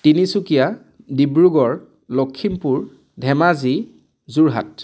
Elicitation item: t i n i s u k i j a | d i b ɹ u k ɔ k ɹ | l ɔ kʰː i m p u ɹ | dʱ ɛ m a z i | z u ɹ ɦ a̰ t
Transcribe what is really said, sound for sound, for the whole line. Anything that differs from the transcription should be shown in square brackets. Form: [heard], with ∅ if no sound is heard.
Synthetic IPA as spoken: t i n i s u k i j a | d i b ɹ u [ɡ] ɔ [∅] ɹ | l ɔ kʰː i m p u ɹ | dʱ ɛ m a z i | z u ɹ ɦ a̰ t